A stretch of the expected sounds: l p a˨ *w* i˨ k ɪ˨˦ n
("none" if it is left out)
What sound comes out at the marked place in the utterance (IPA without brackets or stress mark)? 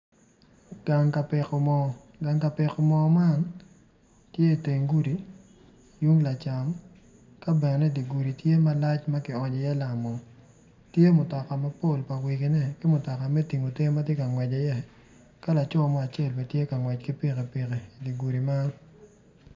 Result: w